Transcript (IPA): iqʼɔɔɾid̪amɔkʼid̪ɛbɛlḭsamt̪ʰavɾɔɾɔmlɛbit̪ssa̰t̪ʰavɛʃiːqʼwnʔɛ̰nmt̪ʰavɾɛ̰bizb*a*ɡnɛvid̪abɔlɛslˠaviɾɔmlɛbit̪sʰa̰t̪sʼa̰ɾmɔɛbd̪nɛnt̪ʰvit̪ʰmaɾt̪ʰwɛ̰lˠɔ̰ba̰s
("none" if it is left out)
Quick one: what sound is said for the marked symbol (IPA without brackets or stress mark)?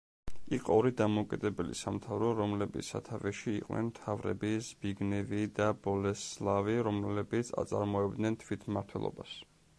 i